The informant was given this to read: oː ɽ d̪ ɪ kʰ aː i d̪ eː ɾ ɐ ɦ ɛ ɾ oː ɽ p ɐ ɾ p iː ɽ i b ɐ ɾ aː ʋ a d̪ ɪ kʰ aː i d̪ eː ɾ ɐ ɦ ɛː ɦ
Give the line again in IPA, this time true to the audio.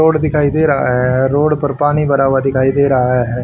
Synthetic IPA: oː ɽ d̪ ɪ kʰ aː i d̪ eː ɾ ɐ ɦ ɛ ɾ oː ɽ p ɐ ɾ p aː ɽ i b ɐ ɾ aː ʋ a d̪ ɪ kʰ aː i d̪ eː ɾ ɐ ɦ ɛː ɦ